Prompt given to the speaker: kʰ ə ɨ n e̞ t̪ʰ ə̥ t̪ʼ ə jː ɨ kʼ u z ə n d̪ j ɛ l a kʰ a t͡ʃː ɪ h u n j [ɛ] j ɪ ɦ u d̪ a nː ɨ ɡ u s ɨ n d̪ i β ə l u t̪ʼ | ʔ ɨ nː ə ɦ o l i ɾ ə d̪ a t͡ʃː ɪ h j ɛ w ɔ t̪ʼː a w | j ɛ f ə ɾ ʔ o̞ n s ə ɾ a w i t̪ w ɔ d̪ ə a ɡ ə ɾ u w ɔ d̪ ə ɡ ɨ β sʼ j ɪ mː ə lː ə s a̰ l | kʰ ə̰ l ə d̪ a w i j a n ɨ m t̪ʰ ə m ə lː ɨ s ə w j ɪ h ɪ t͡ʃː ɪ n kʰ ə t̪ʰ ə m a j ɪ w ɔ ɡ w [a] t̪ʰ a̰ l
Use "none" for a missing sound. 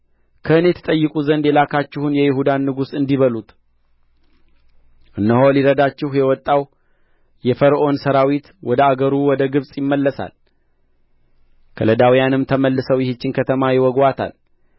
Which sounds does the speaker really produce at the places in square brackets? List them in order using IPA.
ɛ, a

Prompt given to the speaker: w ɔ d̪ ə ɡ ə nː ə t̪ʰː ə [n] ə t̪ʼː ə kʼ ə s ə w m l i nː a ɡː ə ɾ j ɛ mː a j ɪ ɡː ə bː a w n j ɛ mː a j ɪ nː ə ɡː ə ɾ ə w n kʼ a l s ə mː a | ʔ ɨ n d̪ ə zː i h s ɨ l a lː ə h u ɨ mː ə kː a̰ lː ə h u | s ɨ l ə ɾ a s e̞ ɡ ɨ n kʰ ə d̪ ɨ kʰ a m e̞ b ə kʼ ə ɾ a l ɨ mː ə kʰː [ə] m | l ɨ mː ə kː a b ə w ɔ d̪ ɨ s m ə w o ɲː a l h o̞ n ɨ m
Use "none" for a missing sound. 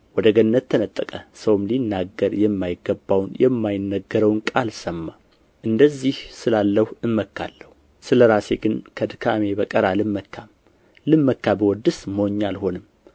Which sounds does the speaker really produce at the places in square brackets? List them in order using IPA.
n, a

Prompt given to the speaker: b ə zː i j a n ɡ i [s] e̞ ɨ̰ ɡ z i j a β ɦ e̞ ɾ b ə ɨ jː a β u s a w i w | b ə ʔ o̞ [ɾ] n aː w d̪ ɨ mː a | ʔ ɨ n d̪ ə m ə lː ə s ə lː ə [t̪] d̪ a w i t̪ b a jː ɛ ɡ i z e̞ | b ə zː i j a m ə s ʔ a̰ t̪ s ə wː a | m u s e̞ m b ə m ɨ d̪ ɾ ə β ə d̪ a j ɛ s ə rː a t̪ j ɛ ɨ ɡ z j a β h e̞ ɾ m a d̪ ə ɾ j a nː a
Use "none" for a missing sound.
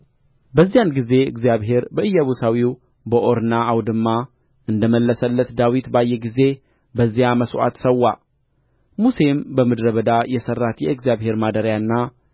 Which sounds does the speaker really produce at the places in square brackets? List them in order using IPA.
z, ɾ, t̪

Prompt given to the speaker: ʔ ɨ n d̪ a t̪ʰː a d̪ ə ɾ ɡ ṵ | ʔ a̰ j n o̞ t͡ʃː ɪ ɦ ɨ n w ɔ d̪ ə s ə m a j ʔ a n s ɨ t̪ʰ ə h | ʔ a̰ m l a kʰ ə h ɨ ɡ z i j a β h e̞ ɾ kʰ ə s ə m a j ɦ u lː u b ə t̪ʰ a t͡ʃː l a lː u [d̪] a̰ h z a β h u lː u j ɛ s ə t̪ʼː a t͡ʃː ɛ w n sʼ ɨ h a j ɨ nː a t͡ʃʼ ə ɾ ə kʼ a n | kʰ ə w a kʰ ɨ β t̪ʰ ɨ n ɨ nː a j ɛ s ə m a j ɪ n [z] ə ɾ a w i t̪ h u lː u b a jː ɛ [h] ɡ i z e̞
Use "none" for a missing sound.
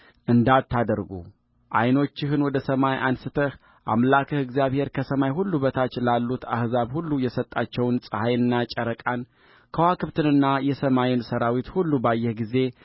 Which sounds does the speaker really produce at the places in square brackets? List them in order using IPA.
t̪, s, h

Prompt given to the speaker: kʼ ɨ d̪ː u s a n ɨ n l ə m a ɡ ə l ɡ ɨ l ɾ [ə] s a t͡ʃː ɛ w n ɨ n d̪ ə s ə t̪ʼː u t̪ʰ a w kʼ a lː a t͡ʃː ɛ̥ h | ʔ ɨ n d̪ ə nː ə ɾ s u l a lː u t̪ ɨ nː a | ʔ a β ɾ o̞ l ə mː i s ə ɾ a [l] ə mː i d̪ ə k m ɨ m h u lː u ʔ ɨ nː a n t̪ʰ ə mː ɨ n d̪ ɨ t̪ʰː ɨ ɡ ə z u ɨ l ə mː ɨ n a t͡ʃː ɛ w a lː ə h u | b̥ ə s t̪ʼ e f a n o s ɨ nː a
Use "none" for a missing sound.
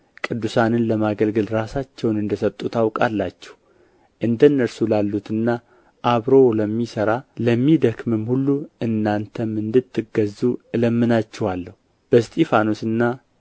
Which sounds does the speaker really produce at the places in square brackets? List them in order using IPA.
a, l

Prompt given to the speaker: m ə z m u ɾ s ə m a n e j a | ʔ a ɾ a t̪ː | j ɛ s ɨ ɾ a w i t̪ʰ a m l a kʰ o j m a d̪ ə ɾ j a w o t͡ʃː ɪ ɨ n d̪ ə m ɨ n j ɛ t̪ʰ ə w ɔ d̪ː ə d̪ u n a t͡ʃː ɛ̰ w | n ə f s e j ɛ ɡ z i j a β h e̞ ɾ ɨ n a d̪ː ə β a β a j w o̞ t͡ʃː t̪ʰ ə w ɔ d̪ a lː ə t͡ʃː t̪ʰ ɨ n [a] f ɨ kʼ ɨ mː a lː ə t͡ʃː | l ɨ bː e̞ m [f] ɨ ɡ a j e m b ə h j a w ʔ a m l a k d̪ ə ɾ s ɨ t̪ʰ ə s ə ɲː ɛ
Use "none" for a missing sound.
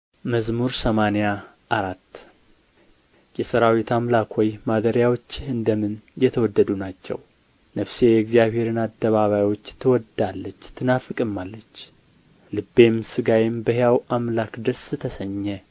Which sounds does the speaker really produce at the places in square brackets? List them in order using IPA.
a, s

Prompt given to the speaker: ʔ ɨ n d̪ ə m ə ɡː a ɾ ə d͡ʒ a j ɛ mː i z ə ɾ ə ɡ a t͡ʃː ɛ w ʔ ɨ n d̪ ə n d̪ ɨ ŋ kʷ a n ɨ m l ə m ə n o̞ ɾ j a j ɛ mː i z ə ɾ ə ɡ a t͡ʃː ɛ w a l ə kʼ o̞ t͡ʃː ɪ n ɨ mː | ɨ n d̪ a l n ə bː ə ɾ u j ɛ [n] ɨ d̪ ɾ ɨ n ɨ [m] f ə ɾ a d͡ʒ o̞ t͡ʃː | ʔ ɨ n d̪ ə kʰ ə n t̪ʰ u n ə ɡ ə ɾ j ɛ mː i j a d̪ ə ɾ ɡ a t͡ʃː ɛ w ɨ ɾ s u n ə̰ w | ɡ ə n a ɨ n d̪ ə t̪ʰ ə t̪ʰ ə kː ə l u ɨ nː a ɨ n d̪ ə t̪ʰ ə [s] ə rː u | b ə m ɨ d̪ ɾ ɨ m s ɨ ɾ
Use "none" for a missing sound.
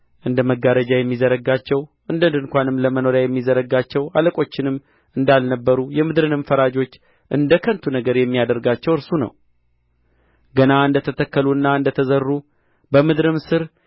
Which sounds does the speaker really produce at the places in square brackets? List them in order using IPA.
m, m, z

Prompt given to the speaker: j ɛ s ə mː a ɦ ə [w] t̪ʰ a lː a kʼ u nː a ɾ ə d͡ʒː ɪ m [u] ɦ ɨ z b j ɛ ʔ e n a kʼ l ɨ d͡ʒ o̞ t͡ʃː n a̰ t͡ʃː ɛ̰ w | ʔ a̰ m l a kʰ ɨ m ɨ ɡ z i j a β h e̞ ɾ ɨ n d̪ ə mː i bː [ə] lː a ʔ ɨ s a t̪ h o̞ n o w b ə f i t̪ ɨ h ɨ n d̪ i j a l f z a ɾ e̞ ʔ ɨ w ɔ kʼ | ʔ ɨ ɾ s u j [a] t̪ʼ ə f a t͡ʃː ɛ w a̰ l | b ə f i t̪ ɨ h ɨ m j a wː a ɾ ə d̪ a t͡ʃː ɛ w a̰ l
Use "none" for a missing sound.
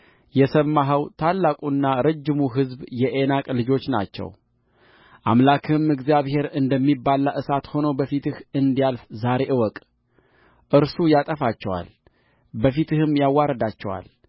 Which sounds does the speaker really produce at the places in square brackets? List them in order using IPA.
w, u, a, a

